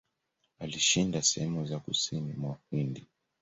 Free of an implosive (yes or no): yes